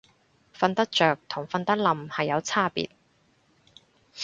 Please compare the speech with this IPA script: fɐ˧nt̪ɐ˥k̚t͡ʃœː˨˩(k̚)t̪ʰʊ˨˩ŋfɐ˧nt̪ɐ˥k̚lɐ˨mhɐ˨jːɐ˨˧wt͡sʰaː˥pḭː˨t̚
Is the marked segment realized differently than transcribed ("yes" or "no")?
no